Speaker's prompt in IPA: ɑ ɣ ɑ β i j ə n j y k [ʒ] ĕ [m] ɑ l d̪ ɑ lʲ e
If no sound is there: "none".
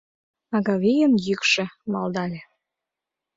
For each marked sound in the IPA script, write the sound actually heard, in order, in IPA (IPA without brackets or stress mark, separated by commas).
ʃ, m